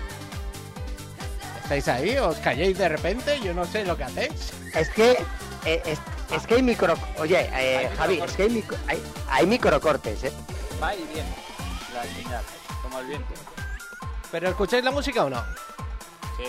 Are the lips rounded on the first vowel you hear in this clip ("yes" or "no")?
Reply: no